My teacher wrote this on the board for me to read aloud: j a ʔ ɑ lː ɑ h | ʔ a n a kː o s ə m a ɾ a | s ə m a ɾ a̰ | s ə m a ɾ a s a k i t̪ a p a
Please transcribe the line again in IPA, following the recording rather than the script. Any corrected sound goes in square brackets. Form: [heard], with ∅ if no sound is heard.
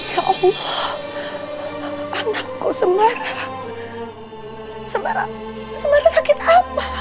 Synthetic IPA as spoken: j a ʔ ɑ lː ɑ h | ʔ a n a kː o s ə m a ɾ a | s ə m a ɾ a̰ | s ə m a ɾ a s a k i t̪ a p a